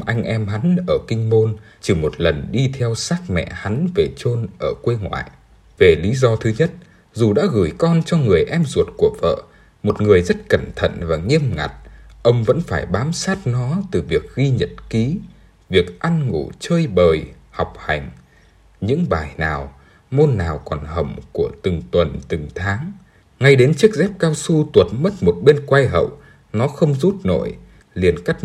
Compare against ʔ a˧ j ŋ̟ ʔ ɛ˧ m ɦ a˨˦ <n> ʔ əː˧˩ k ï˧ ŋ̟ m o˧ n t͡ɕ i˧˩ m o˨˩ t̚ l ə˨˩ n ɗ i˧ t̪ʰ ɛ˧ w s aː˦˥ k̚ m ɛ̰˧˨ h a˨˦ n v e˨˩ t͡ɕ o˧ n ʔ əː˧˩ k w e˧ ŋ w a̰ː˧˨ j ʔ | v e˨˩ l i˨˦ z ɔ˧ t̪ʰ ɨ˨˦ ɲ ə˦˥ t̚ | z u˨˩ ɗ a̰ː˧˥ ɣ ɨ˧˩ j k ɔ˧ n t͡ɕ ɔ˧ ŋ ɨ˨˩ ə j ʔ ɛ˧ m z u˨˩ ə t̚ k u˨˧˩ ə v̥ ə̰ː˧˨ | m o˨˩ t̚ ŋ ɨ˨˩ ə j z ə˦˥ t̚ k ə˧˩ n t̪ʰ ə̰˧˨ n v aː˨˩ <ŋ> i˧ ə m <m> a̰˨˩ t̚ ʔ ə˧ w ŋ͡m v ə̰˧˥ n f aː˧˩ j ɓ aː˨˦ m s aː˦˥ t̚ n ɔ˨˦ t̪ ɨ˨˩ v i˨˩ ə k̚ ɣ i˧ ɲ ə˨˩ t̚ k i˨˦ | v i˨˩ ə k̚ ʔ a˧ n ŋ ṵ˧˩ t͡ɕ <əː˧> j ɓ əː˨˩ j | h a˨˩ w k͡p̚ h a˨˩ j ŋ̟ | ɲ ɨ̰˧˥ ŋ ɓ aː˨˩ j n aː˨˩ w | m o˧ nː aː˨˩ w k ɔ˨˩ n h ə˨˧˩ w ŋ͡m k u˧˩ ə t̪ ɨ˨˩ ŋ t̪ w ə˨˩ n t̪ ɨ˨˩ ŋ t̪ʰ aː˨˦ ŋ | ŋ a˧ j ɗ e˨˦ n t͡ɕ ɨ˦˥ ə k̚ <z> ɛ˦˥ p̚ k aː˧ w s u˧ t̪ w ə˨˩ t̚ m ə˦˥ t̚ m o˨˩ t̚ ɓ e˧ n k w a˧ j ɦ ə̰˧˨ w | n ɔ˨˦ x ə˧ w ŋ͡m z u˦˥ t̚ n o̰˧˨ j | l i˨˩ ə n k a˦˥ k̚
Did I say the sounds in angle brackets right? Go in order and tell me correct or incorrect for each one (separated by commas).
correct, correct, incorrect, correct, correct